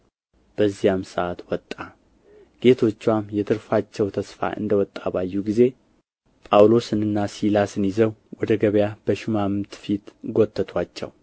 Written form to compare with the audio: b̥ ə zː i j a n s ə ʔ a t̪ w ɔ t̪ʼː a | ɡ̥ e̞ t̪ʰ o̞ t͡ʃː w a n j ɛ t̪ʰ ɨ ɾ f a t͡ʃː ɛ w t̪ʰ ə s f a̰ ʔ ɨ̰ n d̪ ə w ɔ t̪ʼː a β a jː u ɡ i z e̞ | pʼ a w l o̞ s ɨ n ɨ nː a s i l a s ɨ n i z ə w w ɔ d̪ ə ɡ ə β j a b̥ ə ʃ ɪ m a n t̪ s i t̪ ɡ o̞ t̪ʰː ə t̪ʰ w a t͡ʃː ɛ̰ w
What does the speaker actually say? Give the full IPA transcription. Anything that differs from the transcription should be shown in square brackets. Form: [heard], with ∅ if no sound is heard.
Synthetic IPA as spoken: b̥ ə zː i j a [m] s ə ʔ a t̪ w ɔ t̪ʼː a | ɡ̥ e̞ t̪ʰ o̞ t͡ʃː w a [m] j ɛ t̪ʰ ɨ ɾ f a t͡ʃː ɛ w t̪ʰ ə s f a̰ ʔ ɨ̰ n d̪ ə w ɔ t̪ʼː a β a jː u ɡ i z e̞ | pʼ a w l o̞ s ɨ n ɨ nː a s i l a s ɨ n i z ə w w ɔ d̪ ə ɡ ə β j a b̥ ə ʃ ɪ m a [m] t̪ [f] i t̪ ɡ o̞ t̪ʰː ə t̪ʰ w a t͡ʃː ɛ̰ w